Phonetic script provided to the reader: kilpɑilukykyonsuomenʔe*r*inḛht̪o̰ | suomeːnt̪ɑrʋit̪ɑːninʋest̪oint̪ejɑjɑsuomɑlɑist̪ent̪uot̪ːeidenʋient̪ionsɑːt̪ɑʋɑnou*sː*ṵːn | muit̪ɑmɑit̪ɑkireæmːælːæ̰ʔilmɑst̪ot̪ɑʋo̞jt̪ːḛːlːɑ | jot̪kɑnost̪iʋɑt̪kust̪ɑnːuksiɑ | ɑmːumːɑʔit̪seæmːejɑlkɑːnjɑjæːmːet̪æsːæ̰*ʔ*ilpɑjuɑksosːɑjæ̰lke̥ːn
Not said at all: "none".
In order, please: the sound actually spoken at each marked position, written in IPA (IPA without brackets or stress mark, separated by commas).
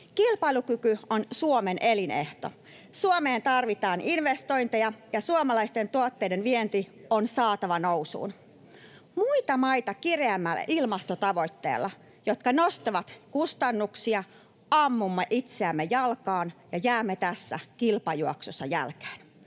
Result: l, s, k